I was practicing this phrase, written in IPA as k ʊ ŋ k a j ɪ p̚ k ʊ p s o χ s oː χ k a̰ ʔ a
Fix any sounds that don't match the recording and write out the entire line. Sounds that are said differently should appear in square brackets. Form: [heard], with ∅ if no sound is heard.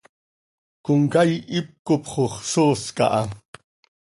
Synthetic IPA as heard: k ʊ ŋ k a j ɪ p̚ k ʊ p [χ] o χ s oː [s] k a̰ ʔ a